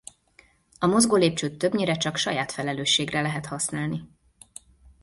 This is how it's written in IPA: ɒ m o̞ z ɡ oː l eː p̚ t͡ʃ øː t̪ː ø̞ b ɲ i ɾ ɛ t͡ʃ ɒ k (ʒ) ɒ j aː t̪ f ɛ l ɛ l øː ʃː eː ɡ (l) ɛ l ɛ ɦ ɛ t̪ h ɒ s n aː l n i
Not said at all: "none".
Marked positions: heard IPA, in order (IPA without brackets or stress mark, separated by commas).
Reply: ʃ, r